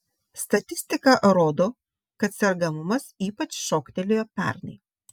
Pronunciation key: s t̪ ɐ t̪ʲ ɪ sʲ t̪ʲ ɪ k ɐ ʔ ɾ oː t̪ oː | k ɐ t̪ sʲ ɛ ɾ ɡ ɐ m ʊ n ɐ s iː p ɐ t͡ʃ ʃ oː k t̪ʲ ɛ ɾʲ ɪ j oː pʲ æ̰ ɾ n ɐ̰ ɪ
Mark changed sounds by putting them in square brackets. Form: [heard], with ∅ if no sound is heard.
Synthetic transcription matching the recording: s t̪ ɐ t̪ʲ ɪ sʲ t̪ʲ ɪ k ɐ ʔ ɾ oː [d̪] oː | k ɐ t̪ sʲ ɛ ɾ ɡ ɐ m ʊ [m] ɐ s iː p ɐ t͡ʃ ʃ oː k t̪ʲ ɛ [lʲ] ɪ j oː pʲ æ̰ ɾ n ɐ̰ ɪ